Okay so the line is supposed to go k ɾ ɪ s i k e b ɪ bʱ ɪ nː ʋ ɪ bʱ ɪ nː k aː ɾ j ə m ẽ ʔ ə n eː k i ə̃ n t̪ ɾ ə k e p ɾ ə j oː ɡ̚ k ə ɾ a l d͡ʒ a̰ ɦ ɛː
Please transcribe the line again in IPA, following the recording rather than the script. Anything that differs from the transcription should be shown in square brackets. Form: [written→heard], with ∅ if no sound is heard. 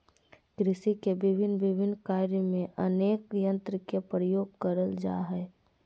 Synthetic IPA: k ɾ ɪ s i k e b ɪ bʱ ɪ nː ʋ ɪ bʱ ɪ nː k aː ɾ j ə m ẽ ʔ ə n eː k [i→j] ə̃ n t̪ ɾ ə k e p ɾ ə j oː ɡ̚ k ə ɾ [a→ə] l d͡ʒ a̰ ɦ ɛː